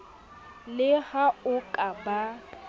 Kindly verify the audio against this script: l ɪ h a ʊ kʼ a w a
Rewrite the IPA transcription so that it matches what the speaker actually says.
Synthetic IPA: l ɪ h a ʊ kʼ a b a